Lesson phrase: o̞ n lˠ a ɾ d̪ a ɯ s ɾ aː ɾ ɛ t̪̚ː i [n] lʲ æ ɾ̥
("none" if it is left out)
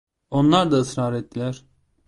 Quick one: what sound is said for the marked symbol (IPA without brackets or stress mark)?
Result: none